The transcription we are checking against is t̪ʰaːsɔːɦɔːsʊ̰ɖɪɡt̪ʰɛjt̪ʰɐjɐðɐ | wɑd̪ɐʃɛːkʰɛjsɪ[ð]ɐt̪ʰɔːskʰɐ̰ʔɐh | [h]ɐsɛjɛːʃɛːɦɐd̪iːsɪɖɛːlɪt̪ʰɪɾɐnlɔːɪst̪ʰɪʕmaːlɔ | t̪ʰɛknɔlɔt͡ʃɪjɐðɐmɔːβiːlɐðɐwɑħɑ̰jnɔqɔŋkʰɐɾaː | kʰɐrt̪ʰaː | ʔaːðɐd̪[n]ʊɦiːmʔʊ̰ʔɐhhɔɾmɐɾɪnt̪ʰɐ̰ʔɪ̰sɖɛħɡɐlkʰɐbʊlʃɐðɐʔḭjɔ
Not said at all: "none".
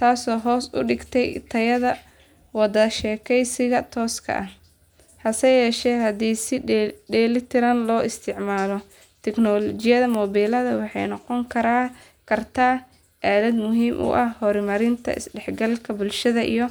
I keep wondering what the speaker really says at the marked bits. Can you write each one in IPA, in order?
ɣ, h, m

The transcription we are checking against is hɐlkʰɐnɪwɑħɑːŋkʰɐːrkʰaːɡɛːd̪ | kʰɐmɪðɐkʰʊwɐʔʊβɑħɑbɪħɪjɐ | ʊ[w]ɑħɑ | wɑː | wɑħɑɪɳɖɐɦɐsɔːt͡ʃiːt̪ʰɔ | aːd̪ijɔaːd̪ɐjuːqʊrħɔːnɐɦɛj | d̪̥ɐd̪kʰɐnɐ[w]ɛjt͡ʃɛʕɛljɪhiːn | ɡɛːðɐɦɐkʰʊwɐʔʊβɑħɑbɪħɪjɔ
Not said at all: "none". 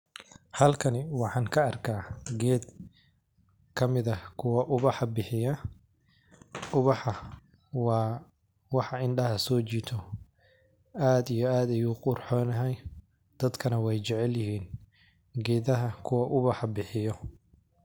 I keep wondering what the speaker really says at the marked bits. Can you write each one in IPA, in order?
β, w

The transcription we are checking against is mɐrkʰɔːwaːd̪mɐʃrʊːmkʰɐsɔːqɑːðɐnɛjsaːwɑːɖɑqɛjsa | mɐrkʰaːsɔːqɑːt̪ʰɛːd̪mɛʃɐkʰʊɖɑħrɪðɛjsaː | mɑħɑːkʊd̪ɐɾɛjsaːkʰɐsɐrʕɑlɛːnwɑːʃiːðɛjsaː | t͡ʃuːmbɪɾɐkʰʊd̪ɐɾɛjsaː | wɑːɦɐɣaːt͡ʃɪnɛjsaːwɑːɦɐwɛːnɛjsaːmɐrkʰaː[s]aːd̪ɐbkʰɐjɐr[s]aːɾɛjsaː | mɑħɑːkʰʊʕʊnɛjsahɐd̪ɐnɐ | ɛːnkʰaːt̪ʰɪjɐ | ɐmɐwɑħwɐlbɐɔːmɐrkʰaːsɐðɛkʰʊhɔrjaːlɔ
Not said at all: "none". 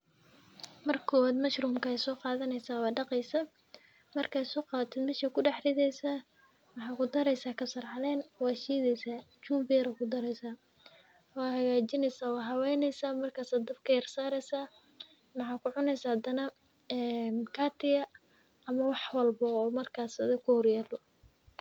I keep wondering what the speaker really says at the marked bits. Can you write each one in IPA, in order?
s, s

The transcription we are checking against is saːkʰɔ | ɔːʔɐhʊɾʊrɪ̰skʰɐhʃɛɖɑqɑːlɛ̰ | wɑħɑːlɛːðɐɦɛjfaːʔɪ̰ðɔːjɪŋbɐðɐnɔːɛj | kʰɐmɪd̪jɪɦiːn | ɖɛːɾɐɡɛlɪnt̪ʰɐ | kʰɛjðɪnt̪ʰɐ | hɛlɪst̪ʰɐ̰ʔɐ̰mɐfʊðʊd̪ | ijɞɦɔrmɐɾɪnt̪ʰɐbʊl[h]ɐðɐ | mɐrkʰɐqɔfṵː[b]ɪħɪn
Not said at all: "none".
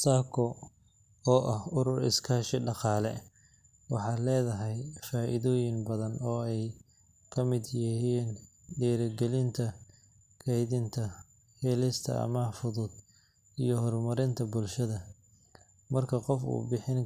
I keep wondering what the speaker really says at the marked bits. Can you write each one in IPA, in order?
ʃ, b

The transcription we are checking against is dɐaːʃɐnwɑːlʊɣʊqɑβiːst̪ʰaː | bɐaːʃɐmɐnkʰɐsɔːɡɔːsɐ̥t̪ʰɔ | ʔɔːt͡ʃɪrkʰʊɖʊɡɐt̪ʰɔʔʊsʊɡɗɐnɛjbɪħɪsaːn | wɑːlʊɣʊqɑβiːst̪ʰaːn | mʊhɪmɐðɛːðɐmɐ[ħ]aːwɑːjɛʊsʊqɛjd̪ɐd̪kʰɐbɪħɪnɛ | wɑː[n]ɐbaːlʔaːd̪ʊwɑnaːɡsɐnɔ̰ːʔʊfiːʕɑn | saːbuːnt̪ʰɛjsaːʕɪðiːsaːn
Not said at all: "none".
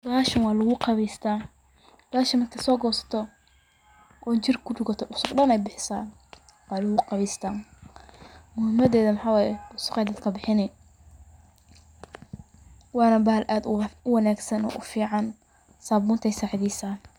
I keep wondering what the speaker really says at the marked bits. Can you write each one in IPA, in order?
ħ, n

